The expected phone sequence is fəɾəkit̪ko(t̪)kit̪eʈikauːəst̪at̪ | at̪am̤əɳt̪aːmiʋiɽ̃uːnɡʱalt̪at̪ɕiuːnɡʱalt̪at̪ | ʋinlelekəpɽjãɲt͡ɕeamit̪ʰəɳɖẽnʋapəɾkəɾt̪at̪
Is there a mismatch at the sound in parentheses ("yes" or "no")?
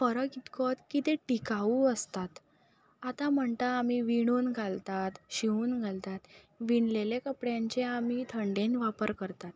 no